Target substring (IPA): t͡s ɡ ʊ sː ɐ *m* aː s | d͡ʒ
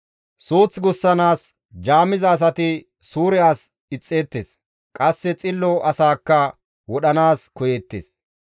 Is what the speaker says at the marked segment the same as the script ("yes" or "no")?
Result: no